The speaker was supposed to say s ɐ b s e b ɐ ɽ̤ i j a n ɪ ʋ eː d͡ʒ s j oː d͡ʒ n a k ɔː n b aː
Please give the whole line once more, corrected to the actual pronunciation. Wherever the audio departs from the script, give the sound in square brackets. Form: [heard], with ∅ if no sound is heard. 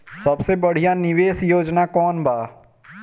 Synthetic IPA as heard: s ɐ b s e b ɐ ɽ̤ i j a n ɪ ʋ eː [∅] s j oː d͡ʒ n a k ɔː n b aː